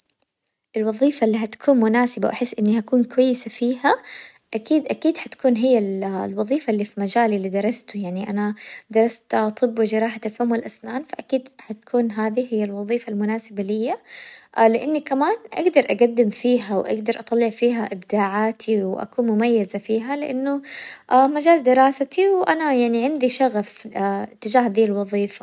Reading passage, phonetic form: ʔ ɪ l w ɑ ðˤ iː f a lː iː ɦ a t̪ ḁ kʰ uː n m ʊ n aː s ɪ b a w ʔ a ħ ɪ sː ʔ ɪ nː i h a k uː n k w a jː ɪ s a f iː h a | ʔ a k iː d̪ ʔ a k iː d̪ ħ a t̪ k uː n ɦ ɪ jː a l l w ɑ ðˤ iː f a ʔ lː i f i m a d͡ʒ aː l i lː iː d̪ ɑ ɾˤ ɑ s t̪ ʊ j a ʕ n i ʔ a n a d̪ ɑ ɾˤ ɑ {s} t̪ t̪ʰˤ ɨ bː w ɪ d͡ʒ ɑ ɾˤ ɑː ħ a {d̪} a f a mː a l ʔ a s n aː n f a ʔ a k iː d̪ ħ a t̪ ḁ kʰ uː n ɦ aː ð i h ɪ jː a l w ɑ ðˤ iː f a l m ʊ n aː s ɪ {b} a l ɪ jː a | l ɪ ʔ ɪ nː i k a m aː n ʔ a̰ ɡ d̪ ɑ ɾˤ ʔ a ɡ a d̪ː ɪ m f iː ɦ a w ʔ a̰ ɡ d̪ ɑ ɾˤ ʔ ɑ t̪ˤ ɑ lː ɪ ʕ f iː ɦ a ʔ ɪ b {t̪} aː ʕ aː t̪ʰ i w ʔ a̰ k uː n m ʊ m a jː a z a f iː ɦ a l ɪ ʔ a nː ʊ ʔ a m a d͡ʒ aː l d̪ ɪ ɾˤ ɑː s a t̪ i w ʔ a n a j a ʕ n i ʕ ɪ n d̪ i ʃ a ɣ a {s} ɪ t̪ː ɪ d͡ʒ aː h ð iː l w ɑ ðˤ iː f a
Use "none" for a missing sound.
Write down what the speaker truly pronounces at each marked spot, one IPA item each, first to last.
s, t̪, b, d̪, f

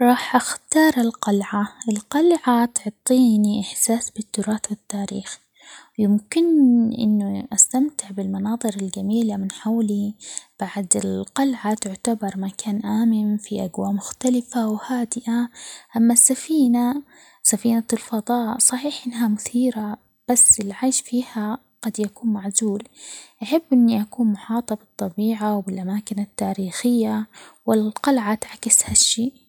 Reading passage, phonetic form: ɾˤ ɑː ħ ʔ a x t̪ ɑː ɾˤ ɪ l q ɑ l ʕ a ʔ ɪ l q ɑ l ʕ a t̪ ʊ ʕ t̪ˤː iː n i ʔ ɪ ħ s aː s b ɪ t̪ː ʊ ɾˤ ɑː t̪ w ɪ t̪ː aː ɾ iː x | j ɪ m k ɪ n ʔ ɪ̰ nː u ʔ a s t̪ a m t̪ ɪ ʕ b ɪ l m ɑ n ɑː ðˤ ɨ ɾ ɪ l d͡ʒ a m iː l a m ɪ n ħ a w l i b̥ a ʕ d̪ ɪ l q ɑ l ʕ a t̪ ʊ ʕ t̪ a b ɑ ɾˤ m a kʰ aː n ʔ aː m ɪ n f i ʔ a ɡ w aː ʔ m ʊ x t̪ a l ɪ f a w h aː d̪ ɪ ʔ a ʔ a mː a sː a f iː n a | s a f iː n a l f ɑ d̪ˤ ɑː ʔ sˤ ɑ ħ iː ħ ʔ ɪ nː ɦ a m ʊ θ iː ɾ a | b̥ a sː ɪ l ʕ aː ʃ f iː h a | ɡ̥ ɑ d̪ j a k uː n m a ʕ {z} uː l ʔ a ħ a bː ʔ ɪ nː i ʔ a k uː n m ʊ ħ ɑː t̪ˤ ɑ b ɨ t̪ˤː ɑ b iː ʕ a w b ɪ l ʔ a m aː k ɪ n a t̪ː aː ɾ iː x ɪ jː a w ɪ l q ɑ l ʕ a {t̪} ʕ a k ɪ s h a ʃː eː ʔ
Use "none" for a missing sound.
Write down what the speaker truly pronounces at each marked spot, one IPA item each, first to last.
z, t̪

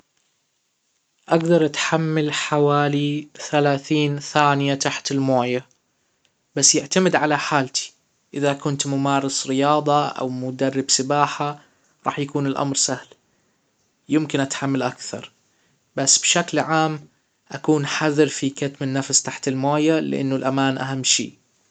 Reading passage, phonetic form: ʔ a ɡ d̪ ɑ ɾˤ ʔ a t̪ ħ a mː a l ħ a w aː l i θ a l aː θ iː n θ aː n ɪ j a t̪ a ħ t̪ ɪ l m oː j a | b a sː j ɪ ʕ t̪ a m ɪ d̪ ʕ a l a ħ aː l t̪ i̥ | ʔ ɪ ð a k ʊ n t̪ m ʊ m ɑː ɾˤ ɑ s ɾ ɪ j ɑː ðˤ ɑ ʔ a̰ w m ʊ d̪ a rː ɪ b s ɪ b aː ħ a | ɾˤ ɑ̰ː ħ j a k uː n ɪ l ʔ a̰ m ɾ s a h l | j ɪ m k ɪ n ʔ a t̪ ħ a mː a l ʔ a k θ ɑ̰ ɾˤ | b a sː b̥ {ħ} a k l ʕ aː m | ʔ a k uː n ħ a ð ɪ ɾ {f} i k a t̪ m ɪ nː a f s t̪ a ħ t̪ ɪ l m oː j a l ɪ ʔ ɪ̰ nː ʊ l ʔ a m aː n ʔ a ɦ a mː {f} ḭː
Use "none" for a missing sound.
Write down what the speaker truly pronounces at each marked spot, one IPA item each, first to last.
ʃ, f, ʃ

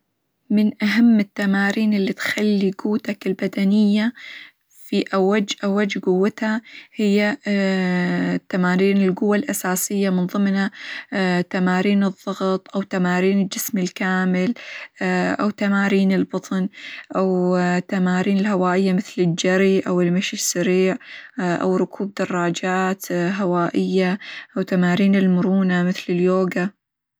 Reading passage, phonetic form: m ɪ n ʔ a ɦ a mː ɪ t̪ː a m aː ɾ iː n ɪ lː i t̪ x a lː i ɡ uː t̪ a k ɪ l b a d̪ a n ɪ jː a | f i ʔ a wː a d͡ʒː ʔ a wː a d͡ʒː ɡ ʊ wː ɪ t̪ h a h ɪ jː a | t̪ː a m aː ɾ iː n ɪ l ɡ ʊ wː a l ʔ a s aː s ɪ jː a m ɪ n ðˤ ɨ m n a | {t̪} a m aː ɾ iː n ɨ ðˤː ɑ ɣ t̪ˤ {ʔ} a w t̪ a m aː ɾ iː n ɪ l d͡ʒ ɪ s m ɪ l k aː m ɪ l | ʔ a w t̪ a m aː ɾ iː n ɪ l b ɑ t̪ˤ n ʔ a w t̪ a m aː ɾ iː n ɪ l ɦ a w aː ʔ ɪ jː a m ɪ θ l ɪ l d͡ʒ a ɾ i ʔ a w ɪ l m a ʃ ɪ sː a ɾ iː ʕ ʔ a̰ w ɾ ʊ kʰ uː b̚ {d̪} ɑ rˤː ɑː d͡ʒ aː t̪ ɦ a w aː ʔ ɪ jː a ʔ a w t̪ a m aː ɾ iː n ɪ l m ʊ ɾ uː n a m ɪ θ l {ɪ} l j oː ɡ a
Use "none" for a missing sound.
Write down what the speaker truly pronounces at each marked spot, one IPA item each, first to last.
t̪, ʔ, d̪, ɪ

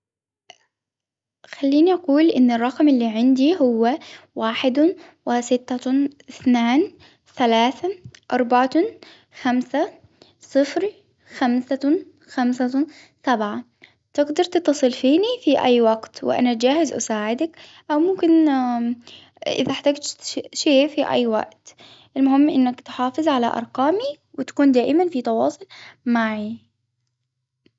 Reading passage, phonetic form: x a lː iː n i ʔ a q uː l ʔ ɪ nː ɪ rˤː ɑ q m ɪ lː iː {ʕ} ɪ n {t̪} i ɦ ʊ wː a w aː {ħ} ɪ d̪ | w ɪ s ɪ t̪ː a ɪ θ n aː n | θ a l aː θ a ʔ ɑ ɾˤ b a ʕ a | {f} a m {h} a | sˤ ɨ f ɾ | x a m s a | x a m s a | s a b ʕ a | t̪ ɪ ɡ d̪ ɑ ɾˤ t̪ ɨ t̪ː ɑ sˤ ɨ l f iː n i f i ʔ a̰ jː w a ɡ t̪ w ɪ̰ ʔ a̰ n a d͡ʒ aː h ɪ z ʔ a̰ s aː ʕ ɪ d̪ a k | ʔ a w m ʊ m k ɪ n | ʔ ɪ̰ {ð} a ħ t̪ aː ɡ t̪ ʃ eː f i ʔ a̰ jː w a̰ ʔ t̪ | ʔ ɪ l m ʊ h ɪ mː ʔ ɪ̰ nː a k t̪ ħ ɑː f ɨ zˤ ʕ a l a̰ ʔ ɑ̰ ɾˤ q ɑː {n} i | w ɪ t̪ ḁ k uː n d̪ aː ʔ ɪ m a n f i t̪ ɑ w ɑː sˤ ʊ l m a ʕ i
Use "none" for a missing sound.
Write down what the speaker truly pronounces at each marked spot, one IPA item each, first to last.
ʕ, d̪, ħ, x, s, ð, m

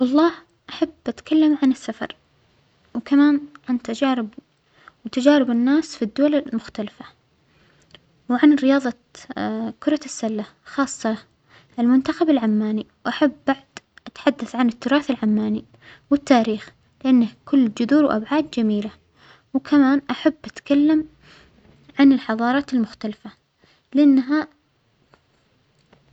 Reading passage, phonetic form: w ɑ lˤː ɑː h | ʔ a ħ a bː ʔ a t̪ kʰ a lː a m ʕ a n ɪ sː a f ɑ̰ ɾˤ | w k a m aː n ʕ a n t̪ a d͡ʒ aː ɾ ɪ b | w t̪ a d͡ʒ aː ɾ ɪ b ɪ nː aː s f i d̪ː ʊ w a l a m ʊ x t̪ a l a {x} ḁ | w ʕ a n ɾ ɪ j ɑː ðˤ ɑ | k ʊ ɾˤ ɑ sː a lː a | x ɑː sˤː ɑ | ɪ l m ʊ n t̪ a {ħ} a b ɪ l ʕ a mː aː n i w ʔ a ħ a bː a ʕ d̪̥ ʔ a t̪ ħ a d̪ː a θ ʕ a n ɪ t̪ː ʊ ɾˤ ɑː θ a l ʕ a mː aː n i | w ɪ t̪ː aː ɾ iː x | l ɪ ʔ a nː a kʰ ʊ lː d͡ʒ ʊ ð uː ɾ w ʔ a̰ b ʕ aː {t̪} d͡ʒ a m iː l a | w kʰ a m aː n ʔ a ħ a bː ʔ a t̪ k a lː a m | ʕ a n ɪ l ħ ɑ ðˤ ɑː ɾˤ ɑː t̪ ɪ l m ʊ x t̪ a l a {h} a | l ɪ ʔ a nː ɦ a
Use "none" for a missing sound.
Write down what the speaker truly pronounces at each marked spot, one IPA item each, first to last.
f, x, d̪, f

